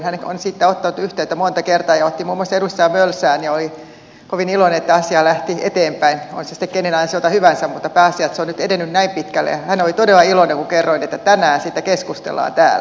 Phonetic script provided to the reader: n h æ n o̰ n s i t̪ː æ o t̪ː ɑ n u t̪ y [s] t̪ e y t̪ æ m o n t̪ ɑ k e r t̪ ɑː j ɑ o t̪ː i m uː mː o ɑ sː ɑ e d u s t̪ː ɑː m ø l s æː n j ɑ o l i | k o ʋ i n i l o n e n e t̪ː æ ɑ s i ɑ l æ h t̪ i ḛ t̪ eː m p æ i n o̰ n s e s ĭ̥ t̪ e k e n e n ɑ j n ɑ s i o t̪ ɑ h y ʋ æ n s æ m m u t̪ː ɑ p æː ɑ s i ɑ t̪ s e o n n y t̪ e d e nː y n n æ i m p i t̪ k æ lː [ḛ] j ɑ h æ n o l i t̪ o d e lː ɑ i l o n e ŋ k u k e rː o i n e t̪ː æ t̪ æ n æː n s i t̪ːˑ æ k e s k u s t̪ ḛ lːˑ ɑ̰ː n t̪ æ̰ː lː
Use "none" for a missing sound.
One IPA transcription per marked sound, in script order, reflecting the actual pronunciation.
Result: h, ḛ

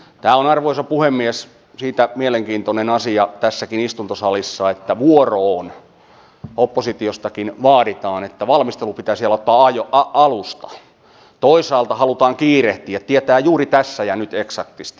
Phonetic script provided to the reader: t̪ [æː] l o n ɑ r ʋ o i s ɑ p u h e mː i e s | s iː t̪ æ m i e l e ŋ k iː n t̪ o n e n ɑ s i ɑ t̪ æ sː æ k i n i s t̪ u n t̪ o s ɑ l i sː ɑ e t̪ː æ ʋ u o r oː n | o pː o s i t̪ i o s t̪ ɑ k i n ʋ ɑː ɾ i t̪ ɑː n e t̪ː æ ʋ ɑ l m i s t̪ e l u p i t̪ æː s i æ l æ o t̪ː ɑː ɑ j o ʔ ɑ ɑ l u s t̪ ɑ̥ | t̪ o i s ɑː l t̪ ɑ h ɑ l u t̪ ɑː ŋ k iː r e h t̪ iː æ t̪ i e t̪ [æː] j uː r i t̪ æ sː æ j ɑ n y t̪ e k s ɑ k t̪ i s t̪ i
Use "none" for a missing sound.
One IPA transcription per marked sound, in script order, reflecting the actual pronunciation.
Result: æː, æː

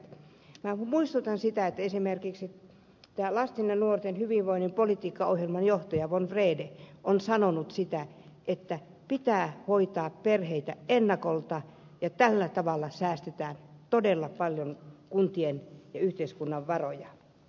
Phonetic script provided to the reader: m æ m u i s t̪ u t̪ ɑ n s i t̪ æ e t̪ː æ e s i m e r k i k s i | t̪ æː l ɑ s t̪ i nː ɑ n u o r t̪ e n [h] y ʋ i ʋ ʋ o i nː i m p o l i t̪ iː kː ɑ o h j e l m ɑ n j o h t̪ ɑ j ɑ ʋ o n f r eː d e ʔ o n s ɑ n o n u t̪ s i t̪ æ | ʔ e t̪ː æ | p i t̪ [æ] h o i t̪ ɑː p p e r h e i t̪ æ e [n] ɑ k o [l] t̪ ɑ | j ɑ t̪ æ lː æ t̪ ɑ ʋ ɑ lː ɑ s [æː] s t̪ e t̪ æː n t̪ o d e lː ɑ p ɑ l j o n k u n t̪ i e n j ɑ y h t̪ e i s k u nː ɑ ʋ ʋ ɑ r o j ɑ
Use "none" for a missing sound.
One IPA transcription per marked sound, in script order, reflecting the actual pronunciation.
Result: h, æː, nː, l, æː

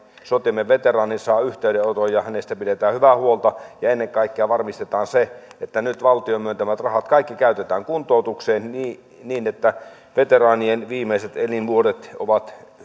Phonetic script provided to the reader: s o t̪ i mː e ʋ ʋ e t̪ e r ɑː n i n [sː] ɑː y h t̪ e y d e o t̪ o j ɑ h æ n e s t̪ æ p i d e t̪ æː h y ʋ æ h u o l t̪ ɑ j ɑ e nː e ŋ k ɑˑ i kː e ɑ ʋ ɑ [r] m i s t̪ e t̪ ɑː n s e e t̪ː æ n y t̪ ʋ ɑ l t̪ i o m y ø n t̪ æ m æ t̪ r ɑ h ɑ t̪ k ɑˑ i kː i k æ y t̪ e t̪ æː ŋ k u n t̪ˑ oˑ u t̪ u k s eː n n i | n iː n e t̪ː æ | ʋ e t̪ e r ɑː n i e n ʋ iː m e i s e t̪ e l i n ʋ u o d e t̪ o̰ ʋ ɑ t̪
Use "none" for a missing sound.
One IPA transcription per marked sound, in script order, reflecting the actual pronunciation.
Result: s, r

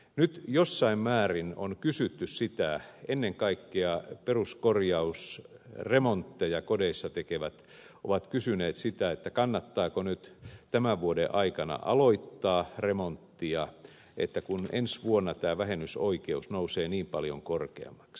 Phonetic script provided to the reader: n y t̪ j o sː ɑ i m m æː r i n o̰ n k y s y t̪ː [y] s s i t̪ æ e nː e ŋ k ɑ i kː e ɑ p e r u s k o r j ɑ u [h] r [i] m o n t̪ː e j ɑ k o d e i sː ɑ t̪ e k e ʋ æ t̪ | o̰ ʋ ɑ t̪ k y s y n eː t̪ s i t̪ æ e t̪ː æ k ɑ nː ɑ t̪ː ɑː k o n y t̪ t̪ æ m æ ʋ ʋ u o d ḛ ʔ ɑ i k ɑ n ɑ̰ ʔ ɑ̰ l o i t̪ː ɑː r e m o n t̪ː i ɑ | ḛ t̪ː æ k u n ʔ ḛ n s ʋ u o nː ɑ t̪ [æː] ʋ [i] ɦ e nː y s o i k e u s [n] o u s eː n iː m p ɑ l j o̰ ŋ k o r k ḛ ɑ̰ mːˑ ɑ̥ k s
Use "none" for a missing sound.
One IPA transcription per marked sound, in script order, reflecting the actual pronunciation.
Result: y, s, e, æː, æ, n

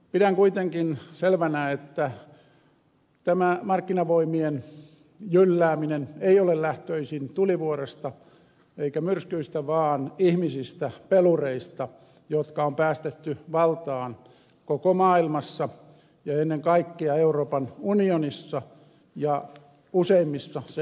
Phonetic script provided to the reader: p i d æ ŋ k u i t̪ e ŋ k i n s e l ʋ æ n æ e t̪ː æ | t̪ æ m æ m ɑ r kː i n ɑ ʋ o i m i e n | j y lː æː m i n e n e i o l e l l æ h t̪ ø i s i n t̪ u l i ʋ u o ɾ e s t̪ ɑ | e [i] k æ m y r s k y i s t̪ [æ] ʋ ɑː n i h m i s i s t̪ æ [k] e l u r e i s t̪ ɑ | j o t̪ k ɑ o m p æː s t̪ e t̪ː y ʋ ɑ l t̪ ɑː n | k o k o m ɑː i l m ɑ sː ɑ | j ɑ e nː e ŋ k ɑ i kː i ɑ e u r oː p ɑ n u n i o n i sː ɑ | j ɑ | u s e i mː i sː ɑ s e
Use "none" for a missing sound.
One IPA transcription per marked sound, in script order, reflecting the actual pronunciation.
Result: i, æ, p

